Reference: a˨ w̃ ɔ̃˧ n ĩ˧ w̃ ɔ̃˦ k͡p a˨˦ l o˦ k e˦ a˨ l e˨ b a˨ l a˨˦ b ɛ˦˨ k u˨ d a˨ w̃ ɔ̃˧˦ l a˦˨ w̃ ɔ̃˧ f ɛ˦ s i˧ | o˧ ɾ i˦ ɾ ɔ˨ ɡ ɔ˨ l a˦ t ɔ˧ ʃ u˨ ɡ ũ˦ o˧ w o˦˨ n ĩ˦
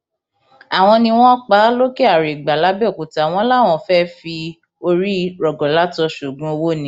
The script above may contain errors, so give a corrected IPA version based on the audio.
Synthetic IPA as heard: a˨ w̃ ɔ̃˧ n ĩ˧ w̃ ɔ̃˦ k͡p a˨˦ l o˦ k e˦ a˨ ɾ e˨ ɡ͡b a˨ l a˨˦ b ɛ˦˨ k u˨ t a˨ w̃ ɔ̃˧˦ l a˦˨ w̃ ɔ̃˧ f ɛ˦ f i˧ | o˧ ɾ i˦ ɾ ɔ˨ ɡ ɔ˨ l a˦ t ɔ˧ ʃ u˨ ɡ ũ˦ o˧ w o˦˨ n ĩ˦

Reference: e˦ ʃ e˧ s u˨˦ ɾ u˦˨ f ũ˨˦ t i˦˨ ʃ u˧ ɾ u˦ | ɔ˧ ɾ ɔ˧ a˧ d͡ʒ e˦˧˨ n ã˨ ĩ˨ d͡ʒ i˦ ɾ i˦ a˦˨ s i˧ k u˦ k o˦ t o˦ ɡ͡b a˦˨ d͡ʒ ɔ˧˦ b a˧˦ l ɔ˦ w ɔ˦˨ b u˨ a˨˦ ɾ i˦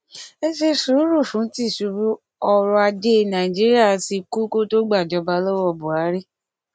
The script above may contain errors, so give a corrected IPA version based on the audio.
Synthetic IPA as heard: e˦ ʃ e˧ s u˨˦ ɾ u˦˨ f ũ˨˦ t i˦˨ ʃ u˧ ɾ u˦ | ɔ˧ ɾ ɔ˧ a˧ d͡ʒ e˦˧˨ n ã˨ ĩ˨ d͡ʒ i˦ ɾ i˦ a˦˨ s i˧ k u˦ k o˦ t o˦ ɡ͡b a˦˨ d͡ʒ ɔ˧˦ b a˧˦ l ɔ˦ w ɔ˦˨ b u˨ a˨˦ ɾ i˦

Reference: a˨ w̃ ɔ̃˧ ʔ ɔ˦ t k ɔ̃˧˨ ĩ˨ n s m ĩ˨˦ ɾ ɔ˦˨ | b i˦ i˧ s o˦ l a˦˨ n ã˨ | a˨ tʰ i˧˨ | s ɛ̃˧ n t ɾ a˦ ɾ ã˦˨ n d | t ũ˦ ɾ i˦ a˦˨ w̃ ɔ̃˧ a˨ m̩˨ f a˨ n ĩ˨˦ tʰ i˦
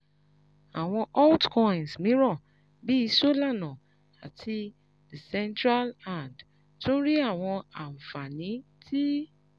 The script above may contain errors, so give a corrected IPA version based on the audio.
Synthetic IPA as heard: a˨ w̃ ɔ̃˧ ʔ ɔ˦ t k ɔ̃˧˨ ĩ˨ n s m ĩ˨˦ ɾ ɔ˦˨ | b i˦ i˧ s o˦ l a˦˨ n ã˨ | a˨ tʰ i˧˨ | s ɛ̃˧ n t ɾ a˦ l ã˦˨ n d | t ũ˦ ɾ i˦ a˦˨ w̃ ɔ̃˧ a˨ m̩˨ f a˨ n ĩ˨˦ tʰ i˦

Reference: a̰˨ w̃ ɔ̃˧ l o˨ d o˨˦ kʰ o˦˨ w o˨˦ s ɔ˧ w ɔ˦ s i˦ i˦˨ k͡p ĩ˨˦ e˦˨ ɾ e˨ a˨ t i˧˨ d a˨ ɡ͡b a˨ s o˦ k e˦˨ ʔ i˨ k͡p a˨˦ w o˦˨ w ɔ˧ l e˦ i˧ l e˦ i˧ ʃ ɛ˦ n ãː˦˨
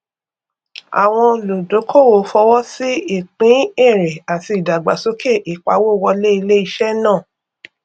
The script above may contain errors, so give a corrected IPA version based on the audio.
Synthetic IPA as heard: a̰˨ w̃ ɔ̃˧ l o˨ d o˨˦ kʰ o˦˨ w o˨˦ f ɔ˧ w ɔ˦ s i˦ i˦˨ k͡p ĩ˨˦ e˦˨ ɾ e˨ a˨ t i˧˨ d a˨ ɡ͡b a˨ s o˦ k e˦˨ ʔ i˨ k͡p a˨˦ w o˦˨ w ɔ˧ l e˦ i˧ l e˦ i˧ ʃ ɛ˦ n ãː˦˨

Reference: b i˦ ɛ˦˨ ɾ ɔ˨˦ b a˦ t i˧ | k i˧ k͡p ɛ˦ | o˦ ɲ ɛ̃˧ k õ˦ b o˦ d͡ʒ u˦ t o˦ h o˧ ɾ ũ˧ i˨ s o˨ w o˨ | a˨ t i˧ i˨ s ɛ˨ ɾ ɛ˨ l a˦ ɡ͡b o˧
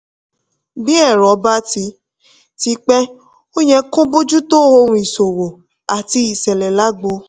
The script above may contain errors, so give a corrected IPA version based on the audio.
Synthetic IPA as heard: b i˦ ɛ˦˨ ɾ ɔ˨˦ b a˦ t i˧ | t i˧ k͡p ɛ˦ | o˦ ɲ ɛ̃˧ k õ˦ b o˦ d͡ʒ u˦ t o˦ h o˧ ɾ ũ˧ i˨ s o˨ w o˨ | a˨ t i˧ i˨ s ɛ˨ l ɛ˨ l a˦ ɡ͡b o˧

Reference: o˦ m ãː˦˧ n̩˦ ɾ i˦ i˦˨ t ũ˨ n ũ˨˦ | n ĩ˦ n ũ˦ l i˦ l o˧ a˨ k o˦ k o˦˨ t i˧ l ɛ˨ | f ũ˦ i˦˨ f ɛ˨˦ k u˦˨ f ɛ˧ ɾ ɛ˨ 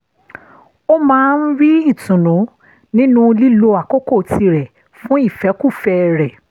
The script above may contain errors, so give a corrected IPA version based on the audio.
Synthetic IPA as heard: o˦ m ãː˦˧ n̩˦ ɾ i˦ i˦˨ t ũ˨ n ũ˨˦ | n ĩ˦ n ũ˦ l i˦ l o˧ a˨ k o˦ k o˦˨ t i˧ ɾ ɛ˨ | f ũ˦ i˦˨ f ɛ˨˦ k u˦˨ f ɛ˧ ɾ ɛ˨

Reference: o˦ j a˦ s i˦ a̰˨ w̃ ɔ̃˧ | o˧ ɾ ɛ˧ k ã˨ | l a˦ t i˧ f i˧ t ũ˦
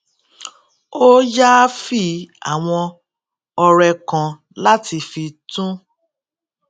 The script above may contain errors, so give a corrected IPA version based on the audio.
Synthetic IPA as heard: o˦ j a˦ f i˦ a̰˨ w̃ ɔ̃˧ | ɔ˧ ɾ ɛ˧ k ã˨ | l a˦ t i˧ f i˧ t ũ˦

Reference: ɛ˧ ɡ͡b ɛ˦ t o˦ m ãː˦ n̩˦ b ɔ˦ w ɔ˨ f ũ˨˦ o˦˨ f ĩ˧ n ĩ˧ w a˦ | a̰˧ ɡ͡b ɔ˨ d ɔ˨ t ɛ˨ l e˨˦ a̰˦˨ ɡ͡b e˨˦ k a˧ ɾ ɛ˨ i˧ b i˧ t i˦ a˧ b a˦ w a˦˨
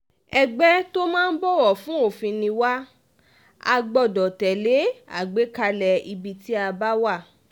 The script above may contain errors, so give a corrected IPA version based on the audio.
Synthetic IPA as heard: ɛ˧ ɡ͡b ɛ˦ t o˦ m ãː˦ n̩˦ b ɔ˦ w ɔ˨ f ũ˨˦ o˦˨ f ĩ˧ n ĩ˧ w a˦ | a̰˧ ɡ͡b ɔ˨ d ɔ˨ t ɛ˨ l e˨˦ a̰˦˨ ɡ͡b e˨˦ k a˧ l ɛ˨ i˧ b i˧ t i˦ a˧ b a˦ w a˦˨

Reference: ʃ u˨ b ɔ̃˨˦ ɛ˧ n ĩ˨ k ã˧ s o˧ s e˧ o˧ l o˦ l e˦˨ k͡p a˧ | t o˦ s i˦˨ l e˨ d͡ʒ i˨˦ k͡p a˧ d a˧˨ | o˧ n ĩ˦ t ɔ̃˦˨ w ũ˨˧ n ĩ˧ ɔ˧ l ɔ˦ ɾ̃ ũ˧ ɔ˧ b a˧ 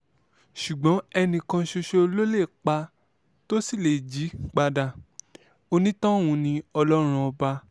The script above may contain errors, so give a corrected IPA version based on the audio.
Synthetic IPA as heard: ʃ u˨ ɡ͡b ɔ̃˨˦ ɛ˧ n ĩ˨ k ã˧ ʃ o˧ ʃ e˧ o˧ l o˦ l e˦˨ k͡p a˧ | t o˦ s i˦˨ l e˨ d͡ʒ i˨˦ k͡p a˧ d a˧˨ | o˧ n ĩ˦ t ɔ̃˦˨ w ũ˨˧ n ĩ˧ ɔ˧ l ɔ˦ ɾ̃ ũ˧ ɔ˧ b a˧

